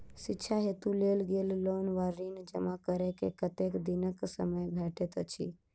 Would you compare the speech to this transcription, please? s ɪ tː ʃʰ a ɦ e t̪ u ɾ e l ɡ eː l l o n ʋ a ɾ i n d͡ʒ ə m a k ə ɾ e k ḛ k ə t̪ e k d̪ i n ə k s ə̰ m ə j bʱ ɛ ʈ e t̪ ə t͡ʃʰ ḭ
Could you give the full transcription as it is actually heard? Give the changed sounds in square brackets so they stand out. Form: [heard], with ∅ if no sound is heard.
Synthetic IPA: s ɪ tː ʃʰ a ɦ e t̪ u [l] e l ɡ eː l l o n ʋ a ɾ i n d͡ʒ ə m a k ə ɾ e k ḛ k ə t̪ e k d̪ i n ə k s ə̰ m ə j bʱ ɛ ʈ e t̪ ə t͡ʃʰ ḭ